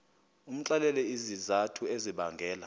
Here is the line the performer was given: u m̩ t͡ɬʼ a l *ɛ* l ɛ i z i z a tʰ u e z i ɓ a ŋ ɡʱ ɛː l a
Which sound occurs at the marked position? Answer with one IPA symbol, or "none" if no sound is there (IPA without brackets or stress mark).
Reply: ɛ